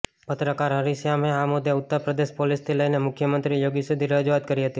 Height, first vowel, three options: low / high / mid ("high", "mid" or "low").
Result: mid